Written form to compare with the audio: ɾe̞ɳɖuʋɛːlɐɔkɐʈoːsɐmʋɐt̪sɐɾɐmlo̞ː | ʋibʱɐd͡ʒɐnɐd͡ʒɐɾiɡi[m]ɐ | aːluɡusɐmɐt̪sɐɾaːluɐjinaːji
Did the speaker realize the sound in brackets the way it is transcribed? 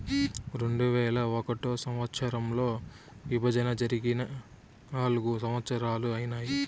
no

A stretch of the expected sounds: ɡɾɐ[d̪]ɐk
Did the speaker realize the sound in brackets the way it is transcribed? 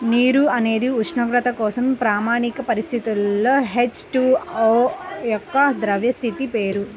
no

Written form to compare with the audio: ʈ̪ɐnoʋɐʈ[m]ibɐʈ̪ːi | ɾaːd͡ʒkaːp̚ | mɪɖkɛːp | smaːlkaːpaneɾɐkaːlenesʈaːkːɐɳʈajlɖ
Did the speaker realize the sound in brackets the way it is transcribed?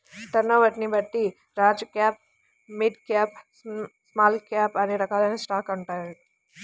no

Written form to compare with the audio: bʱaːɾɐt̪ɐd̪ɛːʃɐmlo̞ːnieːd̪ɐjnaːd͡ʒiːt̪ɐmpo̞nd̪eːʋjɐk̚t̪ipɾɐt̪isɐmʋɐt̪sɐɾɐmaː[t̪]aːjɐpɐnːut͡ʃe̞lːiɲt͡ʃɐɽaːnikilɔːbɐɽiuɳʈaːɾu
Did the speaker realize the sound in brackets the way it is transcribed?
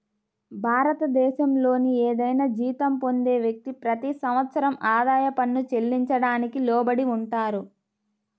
no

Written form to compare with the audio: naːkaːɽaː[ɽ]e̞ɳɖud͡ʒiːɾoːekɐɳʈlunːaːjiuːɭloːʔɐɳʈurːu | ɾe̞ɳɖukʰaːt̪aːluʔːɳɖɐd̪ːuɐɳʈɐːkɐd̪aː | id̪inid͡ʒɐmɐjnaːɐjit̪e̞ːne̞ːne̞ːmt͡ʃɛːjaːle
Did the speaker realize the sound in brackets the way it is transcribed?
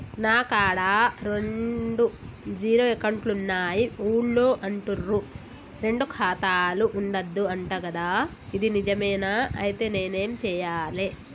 no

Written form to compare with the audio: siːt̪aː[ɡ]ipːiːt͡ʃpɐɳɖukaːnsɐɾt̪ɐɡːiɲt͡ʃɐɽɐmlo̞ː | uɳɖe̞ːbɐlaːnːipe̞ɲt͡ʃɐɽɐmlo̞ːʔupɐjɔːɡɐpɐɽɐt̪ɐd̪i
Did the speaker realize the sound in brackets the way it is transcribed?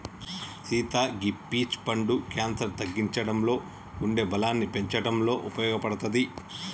yes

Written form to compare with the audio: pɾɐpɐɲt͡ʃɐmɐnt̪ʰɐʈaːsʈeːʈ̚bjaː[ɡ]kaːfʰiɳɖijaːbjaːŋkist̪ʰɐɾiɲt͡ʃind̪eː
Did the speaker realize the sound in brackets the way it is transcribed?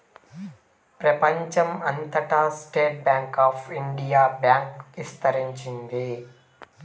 no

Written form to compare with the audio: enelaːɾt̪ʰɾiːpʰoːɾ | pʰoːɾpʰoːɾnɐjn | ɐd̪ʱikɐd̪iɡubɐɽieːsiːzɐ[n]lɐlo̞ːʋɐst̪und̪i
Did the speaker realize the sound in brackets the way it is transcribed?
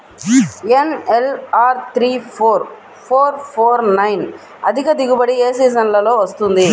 yes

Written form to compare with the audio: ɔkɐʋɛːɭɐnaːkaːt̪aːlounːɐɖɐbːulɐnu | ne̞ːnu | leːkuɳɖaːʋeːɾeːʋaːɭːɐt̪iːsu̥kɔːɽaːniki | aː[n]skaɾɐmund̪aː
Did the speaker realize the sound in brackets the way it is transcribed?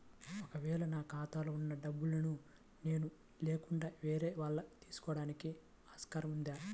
no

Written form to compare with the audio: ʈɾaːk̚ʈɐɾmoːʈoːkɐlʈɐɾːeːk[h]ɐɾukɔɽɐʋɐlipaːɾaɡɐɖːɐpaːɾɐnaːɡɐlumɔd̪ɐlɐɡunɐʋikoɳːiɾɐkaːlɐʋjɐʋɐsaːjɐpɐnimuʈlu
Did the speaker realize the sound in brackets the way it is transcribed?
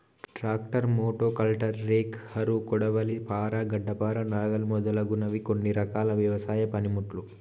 yes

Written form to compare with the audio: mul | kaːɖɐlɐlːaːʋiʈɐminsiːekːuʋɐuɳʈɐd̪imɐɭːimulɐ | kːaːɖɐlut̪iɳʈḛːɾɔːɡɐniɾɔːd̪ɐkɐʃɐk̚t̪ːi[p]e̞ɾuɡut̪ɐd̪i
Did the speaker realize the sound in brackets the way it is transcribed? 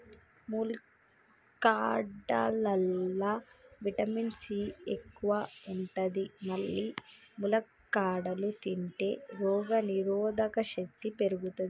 yes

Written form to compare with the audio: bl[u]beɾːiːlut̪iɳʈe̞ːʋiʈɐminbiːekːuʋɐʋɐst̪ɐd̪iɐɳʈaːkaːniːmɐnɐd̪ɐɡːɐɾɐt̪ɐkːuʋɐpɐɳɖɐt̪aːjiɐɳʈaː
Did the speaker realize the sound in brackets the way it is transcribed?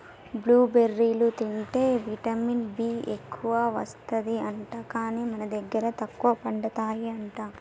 no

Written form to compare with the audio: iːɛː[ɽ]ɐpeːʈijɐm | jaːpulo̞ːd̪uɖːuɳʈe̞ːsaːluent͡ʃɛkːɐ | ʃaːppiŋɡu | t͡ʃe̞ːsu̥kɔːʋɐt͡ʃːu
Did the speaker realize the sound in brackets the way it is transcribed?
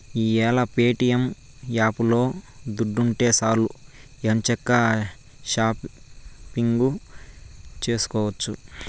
no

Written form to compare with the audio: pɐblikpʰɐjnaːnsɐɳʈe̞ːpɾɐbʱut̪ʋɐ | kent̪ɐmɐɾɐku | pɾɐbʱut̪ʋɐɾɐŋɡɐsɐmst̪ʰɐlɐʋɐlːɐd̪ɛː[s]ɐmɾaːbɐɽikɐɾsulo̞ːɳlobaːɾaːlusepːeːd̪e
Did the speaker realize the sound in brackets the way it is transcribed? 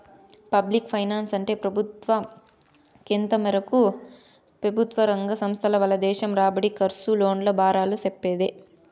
no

